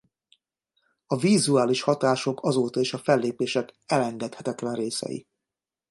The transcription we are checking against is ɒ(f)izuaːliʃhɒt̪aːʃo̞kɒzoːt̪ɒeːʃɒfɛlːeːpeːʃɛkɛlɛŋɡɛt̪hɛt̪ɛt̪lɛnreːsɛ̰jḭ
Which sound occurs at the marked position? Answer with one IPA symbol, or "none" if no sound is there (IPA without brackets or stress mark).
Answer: v